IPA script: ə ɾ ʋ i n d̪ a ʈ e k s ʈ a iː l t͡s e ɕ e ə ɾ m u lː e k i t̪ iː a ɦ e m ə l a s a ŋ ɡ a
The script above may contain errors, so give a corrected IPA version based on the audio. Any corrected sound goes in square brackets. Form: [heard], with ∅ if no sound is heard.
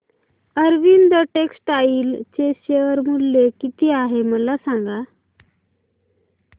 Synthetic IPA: ə ɾ ʋ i n d̪ [ə] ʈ e k s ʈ a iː l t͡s e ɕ e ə ɾ m u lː e k i t̪ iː a ɦ e m ə l a s a ŋ ɡ a